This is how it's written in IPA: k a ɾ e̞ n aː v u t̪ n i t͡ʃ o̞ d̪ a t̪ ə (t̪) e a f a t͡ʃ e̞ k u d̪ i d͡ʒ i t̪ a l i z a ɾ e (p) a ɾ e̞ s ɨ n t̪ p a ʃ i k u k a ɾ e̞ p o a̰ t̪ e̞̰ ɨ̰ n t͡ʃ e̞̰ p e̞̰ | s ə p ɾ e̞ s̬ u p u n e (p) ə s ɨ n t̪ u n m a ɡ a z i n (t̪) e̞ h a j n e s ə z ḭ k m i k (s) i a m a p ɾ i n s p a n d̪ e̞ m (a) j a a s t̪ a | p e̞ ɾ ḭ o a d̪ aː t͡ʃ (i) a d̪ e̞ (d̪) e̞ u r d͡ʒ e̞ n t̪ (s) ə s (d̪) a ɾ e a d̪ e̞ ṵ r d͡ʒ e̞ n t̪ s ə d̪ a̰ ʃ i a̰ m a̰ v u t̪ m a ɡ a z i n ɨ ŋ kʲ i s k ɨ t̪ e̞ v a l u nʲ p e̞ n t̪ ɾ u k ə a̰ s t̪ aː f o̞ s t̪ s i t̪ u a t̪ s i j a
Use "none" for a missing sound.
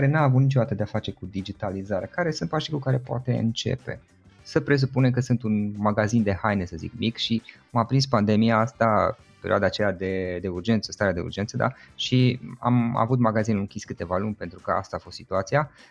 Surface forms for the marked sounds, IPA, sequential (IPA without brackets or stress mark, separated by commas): d̪, k, k, d̪, ʃ, i, e, d̪, s, t̪